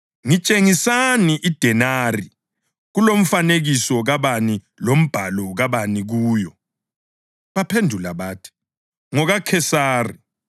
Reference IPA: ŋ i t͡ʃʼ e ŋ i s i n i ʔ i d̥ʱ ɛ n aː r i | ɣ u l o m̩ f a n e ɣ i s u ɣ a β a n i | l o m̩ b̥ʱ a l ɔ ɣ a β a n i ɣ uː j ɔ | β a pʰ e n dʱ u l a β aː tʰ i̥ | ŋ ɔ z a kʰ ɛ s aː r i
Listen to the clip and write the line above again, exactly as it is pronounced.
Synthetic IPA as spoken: ŋ i t͡ʃʼ e ŋ i s a n i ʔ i d̥ʱ ɛ n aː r i | ɣ u l o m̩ f a n e ɣ i s ɔ ɣ a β a n i | l o m̩ b̥ʱ a l ɔ ɣ a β a n i ɣ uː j ɔ | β a pʰ e n dʱ u l a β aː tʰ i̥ | ŋ ɔ ɣ a kʰ ɛ s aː r i